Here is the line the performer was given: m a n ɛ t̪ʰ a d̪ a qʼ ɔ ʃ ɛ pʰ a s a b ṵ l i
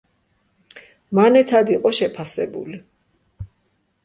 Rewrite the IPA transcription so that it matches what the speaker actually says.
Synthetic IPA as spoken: m a n ɛ t̪ʰ a d̪ i qʼ ɔ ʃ ɛ pʰ a s ɛ b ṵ l i